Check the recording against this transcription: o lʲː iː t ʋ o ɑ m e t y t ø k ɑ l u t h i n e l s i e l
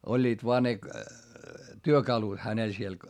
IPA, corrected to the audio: o lʲː iː t ʋ o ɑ n e t y ø k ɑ l u t h æ n e l s i e l